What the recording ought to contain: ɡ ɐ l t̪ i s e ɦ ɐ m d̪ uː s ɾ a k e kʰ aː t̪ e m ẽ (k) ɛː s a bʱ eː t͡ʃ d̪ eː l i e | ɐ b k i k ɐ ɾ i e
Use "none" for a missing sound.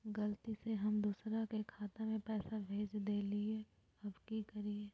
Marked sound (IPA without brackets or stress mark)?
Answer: p